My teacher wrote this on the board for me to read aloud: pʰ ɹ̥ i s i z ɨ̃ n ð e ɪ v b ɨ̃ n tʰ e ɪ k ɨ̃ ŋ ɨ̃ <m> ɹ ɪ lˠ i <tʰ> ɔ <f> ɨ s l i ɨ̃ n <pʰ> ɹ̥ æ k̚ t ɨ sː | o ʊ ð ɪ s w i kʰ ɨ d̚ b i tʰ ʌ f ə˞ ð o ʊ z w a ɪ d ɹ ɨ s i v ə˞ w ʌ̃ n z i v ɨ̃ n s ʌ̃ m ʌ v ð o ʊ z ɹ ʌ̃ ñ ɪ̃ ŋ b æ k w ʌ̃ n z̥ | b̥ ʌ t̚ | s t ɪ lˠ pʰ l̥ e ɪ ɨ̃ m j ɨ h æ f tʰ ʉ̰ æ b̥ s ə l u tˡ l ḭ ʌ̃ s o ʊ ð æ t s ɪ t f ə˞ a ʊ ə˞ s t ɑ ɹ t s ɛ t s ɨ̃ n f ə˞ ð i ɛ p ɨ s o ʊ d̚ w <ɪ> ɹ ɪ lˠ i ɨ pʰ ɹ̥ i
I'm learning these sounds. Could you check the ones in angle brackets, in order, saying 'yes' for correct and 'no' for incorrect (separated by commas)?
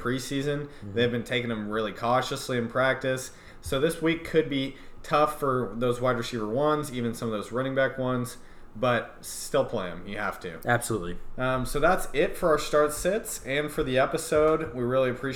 yes, no, no, yes, no